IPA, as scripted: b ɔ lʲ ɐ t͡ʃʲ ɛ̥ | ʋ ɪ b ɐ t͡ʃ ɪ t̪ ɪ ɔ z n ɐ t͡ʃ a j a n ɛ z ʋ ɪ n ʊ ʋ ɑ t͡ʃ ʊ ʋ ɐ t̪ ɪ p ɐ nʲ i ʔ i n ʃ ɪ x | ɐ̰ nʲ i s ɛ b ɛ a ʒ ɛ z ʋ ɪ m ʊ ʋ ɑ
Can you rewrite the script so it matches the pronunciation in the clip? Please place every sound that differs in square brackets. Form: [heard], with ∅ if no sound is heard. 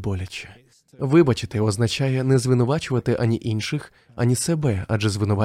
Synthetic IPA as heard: b ɔ lʲ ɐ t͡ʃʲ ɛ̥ | ʋ ɪ b ɐ t͡ʃ ɪ t̪ ɪ ɔ z n ɐ t͡ʃ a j [ɛ] n ɛ z ʋ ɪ n ʊ ʋ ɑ t͡ʃ ʊ ʋ ɐ t̪ ɪ [ʔ] ɐ nʲ i ʔ i n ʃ ɪ x | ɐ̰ nʲ i s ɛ b ɛ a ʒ ɛ z ʋ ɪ [n] ʊ ʋ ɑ